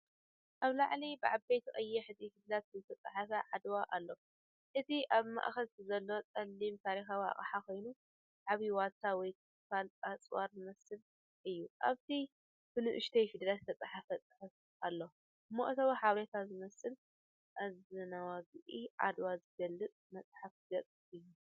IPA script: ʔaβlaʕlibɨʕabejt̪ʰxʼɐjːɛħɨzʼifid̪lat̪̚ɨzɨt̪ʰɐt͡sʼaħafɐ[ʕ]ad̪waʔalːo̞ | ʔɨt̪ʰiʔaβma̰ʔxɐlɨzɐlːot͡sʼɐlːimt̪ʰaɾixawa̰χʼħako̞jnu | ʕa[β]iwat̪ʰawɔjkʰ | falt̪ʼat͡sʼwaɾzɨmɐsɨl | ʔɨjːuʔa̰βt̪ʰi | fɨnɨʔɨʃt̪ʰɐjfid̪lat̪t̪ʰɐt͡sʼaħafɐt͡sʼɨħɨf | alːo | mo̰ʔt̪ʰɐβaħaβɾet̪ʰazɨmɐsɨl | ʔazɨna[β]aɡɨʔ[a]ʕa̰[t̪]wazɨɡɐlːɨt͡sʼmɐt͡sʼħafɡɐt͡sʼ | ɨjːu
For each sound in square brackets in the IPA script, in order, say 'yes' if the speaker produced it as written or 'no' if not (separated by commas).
yes, yes, no, no, no